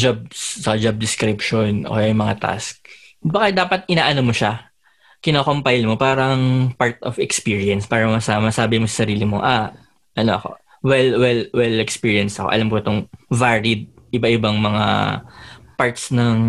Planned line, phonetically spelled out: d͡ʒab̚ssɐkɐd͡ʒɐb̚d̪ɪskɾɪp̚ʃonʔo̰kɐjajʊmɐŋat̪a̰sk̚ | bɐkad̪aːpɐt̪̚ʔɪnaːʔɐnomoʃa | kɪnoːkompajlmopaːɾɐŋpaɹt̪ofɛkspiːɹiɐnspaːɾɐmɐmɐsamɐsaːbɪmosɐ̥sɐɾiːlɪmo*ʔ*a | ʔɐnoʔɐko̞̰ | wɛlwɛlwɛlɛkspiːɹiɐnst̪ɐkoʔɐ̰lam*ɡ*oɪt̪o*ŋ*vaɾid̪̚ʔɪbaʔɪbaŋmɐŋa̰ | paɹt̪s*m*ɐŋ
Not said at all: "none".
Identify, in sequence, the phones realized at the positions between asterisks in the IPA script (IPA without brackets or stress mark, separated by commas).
ʔ, k, ŋ, n